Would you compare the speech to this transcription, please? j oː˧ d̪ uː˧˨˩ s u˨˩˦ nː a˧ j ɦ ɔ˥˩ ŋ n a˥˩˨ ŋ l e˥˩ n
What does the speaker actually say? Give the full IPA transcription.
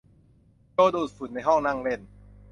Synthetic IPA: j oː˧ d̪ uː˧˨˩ f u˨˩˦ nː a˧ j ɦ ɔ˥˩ ŋ n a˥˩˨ ŋ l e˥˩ n